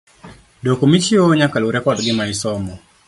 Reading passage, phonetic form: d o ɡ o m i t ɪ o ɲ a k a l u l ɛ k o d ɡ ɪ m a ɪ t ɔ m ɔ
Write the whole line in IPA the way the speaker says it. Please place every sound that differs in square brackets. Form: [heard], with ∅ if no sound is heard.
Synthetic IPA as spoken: d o [k] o m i [t͡ʃ] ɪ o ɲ a k a l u [ɾ] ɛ k [ɔ] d ɡ ɪ m a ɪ [s] ɔ m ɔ